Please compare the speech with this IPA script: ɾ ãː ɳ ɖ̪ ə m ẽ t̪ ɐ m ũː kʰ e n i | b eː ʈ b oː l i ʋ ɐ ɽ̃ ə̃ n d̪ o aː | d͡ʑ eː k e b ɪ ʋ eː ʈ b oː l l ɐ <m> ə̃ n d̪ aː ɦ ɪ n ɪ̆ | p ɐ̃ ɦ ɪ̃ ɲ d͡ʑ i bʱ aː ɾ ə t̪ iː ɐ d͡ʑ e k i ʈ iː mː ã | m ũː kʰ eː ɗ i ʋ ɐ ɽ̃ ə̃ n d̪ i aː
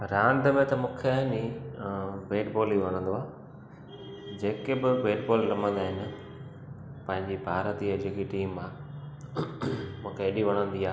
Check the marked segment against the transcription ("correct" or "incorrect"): correct